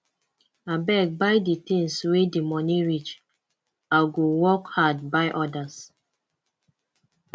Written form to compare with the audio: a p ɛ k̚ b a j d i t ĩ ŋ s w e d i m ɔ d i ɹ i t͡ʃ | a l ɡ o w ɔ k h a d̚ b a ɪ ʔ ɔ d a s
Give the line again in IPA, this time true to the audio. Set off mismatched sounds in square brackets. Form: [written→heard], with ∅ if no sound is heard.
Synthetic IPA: a [p→b] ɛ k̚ b a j d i t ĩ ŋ s w e d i m ɔ [d→n] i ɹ i t͡ʃ | a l ɡ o w ɔ k h a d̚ b a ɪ ʔ ɔ d a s